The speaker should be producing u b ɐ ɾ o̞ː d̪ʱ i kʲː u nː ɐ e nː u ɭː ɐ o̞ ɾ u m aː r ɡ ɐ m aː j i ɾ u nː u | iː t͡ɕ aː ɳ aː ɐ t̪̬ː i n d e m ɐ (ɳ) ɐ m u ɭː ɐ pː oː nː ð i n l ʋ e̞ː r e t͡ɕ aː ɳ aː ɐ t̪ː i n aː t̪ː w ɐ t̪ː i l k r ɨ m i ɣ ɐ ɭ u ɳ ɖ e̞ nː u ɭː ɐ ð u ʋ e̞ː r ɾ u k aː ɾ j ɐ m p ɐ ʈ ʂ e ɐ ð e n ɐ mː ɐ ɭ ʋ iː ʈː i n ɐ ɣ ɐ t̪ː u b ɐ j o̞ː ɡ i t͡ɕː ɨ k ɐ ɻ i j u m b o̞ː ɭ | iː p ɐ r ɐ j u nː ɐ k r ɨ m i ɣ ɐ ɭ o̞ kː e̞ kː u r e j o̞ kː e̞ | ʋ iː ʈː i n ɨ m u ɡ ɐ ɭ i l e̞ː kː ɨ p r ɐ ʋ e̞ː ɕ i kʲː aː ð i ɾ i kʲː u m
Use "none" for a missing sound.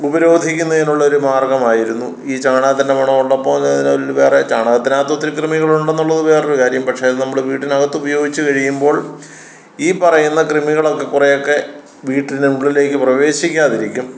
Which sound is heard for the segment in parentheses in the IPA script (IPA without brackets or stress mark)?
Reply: ɳ